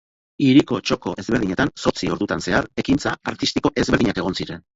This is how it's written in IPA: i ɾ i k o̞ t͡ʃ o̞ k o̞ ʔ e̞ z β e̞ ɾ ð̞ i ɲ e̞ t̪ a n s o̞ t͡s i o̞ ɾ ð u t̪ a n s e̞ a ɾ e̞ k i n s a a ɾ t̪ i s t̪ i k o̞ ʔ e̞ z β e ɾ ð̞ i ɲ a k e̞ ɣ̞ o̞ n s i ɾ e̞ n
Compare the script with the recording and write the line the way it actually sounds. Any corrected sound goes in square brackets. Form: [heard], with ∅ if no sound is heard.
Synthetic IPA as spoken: i ɾ i k o̞ t͡ʃ o̞ k o̞ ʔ e̞ z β e̞ ɾ ð̞ i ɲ e̞ t̪ a n s o̞ t͡s i o̞ ɾ ð u t̪ a n s e̞ a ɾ e̞ k i n [t͡s] a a ɾ t̪ i s t̪ i k o̞ ʔ e̞ z β e ɾ ð̞ i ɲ a k e̞ ɣ̞ o̞ n s i ɾ e̞ n